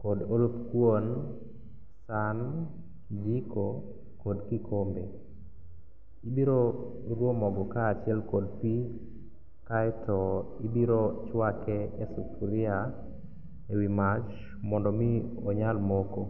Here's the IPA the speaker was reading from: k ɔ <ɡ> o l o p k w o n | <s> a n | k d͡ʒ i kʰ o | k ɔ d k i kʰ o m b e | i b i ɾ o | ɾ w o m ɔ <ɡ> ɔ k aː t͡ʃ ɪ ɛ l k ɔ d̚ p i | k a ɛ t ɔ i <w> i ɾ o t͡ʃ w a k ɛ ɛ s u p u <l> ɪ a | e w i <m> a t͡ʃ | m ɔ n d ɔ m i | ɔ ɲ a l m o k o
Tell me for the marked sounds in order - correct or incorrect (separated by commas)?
incorrect, correct, correct, incorrect, incorrect, correct